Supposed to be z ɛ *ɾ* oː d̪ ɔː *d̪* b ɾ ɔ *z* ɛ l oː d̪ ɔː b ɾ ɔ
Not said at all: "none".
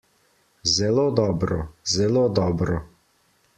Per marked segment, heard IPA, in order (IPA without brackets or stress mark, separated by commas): l, none, z